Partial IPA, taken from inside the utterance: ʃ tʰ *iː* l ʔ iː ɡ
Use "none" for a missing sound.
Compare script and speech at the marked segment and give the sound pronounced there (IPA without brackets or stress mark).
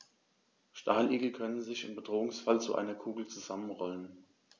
aː